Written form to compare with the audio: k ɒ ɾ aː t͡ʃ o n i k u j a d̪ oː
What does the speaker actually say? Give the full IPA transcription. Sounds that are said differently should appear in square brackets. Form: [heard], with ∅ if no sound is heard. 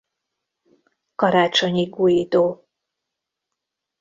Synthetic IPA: k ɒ ɾ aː t͡ʃ o [ɲ] i [ɡ] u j [i] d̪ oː